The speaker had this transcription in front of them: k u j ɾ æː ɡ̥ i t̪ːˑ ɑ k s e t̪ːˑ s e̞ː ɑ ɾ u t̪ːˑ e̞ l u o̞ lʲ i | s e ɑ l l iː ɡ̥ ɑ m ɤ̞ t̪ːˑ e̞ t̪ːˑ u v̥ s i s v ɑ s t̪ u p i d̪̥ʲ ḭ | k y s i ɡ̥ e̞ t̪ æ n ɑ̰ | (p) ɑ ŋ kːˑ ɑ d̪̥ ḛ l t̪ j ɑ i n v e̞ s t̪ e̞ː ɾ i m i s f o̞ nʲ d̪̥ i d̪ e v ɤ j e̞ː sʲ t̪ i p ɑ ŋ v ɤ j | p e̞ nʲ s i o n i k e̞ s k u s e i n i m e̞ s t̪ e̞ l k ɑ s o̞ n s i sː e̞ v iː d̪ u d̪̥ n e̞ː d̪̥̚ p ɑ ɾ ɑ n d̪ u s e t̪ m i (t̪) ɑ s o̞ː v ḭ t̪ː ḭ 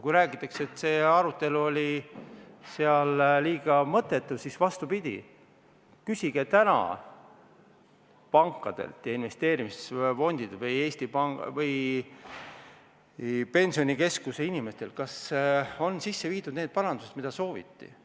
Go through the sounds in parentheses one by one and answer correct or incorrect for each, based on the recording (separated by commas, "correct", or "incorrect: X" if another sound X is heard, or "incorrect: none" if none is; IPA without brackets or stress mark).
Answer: correct, incorrect: d̪